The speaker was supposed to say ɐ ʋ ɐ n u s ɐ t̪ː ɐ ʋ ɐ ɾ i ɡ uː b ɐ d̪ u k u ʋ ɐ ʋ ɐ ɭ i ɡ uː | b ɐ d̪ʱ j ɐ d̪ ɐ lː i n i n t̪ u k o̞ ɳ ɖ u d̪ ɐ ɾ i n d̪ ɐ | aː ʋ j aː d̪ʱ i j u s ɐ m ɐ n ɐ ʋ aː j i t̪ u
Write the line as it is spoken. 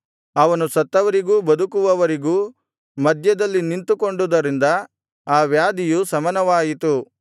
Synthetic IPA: ɐ ʋ ɐ n u s ɐ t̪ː ɐ ʋ ɐ ɾ i ɡ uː b ɐ d̪ u k u ʋ ɐ ʋ ɐ ɾ i ɡ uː | m ɐ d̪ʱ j ɐ d̪ ɐ lː i n i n t̪ u k o̞ ɳ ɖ u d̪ ɐ ɾ i n d̪ ɐ | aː ʋ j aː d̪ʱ i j u s ɐ m ɐ n ɐ ʋ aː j i t̪ u